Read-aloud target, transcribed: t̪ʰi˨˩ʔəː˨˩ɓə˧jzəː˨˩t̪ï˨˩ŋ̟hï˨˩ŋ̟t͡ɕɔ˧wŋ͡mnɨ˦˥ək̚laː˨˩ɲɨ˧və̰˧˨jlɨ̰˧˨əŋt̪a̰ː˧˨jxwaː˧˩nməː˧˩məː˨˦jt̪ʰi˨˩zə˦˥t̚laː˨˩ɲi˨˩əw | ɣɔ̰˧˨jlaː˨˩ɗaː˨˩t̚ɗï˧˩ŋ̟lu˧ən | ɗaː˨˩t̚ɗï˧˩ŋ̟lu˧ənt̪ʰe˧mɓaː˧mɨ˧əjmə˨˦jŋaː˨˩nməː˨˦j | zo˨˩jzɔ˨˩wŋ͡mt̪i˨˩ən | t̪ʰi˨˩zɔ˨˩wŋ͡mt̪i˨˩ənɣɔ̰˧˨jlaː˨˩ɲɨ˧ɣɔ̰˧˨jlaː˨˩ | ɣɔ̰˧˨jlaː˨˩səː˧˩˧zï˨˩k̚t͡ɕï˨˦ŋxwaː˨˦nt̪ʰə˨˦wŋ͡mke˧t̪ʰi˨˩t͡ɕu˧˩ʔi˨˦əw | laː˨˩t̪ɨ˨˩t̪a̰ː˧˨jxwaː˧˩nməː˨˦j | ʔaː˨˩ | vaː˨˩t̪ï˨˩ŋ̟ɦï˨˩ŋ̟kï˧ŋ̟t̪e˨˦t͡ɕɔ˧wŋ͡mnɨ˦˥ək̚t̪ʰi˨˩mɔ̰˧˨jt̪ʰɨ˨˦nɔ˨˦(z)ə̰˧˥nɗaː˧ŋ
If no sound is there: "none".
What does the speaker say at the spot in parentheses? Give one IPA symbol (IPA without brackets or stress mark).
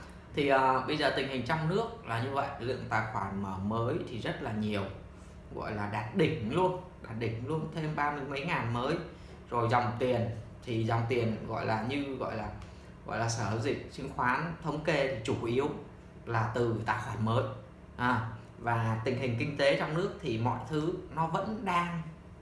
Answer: v